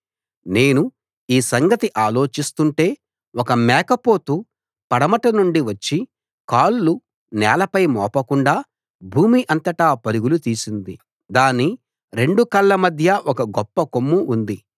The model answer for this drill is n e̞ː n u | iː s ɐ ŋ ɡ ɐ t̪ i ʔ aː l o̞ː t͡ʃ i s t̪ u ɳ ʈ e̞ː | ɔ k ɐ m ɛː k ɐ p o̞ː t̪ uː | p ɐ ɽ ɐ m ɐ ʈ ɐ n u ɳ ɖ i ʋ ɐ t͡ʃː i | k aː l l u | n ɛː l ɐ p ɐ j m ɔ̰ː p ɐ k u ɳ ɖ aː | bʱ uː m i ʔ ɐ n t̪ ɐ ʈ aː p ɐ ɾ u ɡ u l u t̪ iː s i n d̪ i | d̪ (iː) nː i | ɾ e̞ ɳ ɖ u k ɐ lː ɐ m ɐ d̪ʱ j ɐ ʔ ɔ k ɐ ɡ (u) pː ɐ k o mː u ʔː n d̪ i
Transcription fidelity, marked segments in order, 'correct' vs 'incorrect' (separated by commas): incorrect, incorrect